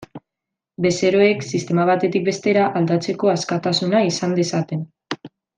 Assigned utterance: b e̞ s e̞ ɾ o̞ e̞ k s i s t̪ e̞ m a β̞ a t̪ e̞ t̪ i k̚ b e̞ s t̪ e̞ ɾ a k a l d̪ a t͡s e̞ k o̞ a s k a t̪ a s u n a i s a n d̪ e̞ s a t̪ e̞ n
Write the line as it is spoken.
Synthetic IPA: b e̞ s e̞ ɾ o̞ e̞ k s i s t̪ e̞ m a β̞ a t̪ e̞ t̪ i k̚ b e̞ s t̪ e̞ ɾ a ʔ a l d̪ a t͡s e̞ k o̞ a s k a t̪ a s u n a i s a n d̪ e̞ s a t̪ e̞ n